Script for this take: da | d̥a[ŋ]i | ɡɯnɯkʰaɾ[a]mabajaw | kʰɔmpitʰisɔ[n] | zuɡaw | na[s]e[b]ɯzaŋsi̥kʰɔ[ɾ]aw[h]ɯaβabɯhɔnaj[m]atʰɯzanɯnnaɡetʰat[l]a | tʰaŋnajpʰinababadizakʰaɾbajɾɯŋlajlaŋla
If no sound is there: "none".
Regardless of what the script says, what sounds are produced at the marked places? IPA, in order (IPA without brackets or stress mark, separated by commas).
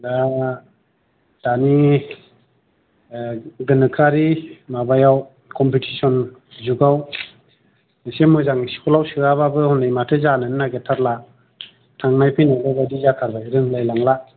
n, i, n, s, m, l, s, m, l